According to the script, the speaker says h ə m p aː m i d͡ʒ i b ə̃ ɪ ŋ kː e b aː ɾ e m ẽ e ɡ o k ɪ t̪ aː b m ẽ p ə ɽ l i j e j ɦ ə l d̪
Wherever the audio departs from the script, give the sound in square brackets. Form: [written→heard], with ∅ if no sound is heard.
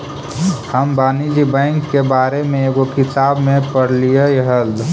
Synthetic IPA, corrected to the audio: h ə m [p→b] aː [m→n] i d͡ʒ i b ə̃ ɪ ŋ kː e b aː ɾ e m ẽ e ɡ o k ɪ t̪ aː b m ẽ p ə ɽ l i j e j ɦ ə l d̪